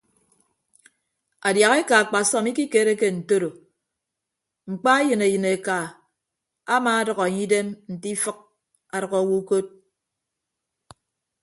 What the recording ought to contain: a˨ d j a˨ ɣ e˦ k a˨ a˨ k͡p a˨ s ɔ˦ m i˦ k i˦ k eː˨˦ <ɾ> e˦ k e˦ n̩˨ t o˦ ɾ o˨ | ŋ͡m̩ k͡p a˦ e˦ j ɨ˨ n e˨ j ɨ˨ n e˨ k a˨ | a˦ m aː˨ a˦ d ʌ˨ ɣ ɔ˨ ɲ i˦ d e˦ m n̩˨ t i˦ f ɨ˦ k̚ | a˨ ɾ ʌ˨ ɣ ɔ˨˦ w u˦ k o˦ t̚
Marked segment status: correct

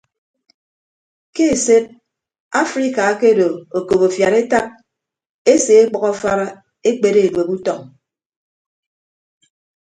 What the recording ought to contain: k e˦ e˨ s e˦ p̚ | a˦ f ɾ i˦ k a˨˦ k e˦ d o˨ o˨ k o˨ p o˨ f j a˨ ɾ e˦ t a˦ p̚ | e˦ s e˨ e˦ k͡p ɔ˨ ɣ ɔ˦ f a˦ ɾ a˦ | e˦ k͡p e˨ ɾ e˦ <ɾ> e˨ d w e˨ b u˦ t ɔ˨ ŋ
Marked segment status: incorrect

